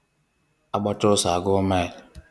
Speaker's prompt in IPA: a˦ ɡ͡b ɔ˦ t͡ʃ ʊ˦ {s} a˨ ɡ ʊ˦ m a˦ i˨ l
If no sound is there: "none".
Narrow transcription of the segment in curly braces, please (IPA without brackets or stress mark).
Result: s